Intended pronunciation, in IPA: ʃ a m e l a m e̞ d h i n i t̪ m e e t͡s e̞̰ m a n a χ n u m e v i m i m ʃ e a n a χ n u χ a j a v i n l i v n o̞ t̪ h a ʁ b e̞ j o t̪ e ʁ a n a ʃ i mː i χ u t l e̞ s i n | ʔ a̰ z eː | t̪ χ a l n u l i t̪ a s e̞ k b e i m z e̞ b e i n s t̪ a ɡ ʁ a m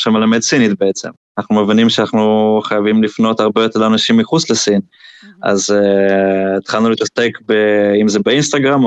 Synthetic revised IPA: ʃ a m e l a m e̞ d s i n i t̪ b e e t͡s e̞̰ m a n a χ n u m e v i n i m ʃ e a n a χ n u χ a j a v i m l i f n o̞ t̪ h a ʁ b e̞ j o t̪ e ʁ a n a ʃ i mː i χ u t͡s l e̞ s i n | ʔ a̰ z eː | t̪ χ a l n u l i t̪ a s e̞ k b e i m z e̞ b e i n s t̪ a ɡ ʁ a m